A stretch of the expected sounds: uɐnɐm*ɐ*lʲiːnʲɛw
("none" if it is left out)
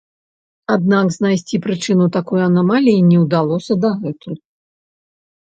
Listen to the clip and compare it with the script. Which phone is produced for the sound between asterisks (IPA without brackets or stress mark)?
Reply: a